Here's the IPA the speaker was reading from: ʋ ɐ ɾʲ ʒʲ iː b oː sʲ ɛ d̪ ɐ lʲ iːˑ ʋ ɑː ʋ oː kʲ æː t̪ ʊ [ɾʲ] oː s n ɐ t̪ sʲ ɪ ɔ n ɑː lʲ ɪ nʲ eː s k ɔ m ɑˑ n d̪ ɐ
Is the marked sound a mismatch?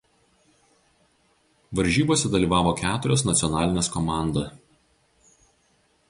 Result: no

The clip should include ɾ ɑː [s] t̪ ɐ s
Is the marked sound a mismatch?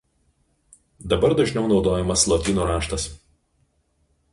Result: yes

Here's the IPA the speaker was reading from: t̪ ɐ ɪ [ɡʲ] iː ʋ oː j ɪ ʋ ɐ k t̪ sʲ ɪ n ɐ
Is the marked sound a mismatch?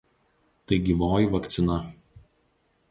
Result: no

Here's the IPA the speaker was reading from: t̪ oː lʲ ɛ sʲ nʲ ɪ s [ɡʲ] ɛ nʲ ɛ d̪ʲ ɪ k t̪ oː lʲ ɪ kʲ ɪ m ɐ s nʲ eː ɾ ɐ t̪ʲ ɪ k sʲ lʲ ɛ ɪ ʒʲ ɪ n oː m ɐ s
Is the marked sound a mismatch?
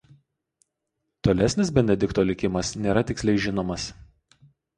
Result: yes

